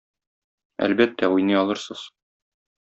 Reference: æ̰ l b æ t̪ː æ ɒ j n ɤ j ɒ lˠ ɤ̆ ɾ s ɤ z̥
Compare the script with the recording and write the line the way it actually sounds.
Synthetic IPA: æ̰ l b æ t̪ː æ u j n ɤ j ɒ lˠ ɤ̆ ɾ s ɤ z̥